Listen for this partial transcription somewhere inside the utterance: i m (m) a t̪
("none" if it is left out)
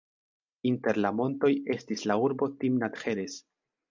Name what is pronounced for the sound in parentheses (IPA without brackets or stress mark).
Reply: n